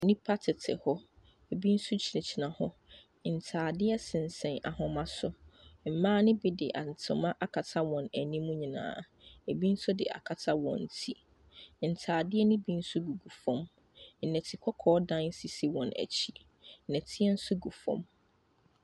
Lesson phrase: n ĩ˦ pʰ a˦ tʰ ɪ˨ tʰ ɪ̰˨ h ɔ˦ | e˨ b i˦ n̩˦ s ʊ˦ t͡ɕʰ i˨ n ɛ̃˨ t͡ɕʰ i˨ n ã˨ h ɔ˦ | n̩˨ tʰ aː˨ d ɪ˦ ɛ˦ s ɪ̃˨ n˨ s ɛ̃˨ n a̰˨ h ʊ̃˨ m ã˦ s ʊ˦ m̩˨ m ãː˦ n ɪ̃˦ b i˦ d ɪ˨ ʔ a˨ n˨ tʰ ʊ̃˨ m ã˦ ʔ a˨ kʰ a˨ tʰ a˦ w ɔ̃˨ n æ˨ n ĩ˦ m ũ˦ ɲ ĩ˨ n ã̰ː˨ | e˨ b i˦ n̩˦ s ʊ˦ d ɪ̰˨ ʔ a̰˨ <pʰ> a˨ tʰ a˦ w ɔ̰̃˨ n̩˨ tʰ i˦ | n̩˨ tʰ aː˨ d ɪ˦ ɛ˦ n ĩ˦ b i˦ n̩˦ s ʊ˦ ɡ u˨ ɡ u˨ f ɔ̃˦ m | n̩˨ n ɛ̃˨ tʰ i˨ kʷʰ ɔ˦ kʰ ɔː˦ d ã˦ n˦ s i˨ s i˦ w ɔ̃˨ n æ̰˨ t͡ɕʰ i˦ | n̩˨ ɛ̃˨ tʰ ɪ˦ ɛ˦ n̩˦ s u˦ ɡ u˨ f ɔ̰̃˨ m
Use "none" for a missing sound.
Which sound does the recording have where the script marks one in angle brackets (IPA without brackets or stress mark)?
kʰ